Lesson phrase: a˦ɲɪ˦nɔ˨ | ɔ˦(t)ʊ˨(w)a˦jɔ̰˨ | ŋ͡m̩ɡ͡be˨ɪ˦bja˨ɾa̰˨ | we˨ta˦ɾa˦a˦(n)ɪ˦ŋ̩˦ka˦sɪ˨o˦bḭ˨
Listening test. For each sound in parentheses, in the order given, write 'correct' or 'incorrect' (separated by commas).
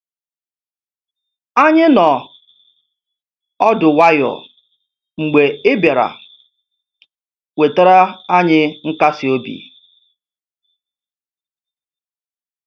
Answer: incorrect, correct, incorrect